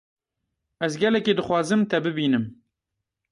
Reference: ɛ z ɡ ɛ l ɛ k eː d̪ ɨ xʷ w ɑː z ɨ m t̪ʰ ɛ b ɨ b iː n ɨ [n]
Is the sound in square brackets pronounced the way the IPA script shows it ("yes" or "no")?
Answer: no